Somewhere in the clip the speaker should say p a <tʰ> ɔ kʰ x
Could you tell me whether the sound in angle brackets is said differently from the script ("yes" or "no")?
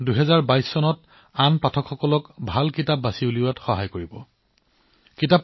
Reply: no